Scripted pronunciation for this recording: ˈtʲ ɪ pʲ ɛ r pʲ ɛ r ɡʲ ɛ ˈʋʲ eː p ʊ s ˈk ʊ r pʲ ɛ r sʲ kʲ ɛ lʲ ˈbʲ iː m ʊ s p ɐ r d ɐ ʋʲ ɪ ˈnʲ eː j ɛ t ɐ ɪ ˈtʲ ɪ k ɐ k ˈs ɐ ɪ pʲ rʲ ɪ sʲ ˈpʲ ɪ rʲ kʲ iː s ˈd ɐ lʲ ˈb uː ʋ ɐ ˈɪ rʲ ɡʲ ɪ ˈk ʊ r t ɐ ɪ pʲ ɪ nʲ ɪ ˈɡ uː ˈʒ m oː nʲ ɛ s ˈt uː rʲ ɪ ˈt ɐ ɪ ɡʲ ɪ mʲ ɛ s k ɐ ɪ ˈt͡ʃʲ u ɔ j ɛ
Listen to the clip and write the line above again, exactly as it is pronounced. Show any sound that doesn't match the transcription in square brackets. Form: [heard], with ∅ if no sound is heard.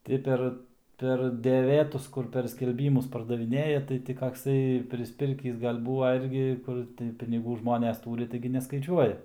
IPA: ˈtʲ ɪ pʲ ɛ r pʲ ɛ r [dʲ] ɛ ˈʋʲ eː [t] ʊ s ˈk ʊ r pʲ ɛ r sʲ kʲ ɛ lʲ ˈbʲ iː m ʊ s p ɐ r d ɐ ʋʲ ɪ ˈnʲ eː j ɛ t ɐ ɪ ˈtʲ ɪ k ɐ k ˈs ɐ ɪ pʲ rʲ ɪ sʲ ˈpʲ ɪ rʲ kʲ iː s [ˈɡ] ɐ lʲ ˈb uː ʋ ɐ ˈɪ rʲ ɡʲ ɪ ˈk ʊ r t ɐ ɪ pʲ ɪ nʲ ɪ ˈɡ uː ˈʒ m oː nʲ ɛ s ˈt uː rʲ ɪ ˈt ɐ ɪ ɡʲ ɪ [nʲ] ɛ s k ɐ ɪ ˈt͡ʃʲ u ɔ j ɛ